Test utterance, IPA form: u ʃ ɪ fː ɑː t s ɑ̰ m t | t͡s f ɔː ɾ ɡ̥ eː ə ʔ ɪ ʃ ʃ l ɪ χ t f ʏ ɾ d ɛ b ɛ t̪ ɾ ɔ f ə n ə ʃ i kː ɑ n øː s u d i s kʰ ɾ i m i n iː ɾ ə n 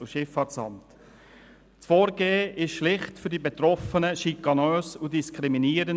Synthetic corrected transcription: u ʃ ɪ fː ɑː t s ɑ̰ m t | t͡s f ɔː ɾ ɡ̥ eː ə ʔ ɪ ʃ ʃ l ɪ χ t f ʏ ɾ d i b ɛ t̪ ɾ ɔ f ə n ə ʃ i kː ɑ n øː s u d i s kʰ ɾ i m i n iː ɾ ə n